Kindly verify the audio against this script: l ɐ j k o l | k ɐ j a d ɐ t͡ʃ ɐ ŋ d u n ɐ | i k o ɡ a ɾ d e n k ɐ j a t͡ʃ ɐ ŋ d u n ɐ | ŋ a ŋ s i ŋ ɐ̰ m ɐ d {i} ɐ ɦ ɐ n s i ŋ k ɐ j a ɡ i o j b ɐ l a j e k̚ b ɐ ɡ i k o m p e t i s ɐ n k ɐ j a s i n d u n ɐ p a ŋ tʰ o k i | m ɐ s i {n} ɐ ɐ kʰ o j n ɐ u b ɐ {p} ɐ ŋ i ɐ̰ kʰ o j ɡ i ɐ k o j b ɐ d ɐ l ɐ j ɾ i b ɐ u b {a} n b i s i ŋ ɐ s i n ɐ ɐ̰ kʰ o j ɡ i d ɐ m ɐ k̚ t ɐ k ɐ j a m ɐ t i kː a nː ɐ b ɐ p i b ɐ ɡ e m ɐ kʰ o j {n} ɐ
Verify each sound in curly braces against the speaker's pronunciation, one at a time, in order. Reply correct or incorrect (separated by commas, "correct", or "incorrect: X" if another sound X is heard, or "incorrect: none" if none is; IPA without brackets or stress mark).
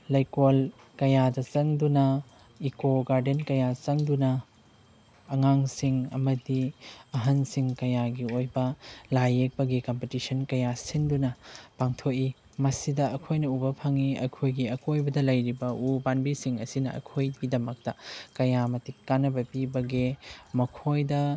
correct, incorrect: d, incorrect: pʰ, correct, incorrect: d